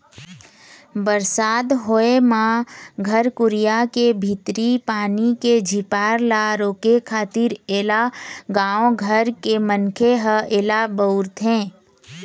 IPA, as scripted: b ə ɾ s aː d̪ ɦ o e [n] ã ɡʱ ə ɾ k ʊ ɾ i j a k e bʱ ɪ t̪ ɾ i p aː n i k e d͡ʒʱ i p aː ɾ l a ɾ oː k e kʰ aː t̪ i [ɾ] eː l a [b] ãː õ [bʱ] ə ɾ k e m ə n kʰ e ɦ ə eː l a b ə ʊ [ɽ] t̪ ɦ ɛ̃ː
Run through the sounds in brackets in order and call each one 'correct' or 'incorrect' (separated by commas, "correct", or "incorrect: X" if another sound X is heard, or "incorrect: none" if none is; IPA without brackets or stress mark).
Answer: incorrect: m, correct, incorrect: ɡ, incorrect: ɡʱ, incorrect: ɾ